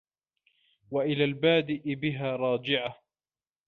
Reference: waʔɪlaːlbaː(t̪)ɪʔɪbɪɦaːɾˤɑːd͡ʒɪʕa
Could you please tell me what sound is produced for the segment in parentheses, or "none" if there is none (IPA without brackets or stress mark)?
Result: d̪